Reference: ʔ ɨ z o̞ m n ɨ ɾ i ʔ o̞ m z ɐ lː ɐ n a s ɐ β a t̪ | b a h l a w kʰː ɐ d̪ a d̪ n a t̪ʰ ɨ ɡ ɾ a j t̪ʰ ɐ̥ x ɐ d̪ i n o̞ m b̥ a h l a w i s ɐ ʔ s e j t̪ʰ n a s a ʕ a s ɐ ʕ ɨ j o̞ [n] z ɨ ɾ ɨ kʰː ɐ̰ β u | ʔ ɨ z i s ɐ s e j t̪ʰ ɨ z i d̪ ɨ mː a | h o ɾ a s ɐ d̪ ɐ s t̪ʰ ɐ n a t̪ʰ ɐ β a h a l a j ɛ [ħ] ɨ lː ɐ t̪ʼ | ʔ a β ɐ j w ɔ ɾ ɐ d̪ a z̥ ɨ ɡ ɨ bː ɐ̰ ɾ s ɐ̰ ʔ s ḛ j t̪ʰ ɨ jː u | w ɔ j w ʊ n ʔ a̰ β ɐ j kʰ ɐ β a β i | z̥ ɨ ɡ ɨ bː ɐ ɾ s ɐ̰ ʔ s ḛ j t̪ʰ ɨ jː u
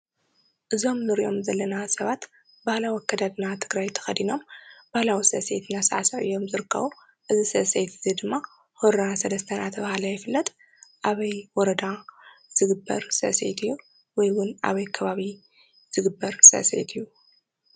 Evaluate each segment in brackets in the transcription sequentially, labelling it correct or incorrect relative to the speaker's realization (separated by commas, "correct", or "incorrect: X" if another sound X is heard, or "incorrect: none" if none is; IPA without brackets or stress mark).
incorrect: m, incorrect: f